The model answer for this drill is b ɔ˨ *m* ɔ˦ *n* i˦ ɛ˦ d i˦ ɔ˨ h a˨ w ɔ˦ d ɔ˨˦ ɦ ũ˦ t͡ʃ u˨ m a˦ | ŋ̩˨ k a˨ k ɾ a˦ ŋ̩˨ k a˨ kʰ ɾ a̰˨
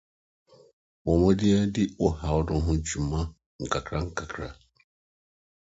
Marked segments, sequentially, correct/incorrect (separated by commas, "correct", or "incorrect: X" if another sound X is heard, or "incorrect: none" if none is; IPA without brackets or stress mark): correct, incorrect: d